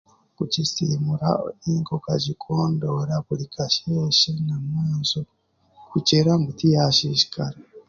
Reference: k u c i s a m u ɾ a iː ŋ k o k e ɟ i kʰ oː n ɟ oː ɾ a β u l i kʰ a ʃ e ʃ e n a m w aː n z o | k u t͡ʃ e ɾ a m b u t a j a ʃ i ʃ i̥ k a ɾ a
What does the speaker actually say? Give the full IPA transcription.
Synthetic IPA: k u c i s i m u ɾ a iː ŋ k o k a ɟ i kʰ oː n d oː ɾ a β u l i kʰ a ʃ e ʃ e n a m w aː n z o | k u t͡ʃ e ɾ a m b u t i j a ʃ i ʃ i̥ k a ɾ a